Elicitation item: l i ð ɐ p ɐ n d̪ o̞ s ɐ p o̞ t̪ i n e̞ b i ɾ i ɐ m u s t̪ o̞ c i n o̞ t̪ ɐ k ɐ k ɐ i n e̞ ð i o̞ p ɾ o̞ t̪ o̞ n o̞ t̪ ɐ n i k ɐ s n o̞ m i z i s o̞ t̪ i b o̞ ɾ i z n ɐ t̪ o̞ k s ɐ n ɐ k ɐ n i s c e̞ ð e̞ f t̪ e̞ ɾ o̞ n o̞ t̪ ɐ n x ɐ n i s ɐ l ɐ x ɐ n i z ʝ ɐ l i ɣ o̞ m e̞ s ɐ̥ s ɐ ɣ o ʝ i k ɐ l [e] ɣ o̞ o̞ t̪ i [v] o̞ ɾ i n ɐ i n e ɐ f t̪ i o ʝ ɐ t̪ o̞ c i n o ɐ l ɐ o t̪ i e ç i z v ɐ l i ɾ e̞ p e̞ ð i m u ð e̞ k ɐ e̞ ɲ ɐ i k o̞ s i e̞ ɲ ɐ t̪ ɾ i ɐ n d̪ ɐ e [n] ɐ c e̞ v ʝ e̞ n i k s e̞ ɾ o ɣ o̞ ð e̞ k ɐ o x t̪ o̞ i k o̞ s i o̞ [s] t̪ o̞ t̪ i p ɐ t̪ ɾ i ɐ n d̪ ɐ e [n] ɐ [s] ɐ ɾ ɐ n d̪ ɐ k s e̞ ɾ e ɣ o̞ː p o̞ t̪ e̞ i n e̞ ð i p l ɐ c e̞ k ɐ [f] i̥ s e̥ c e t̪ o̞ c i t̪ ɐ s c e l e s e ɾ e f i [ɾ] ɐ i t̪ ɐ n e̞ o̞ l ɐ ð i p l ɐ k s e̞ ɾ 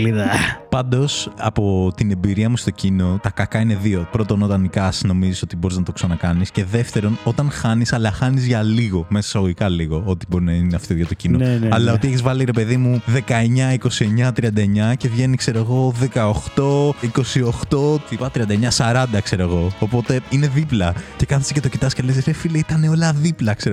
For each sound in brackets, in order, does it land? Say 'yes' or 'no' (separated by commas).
no, no, no, no, no, yes, no, no